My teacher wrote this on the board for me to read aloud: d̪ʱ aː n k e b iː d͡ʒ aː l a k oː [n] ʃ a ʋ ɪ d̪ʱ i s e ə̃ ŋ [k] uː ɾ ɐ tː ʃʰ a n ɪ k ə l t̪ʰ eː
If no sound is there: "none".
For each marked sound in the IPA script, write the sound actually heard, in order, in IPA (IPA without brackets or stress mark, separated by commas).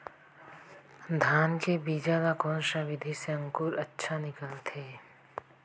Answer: n, k